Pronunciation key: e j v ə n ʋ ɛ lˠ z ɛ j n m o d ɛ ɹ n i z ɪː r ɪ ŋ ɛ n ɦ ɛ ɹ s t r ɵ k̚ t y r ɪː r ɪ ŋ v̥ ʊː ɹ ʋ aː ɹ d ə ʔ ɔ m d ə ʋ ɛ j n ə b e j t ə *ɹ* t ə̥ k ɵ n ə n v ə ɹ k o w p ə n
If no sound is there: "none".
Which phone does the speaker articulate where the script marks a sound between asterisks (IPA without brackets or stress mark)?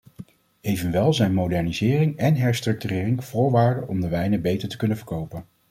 ɹ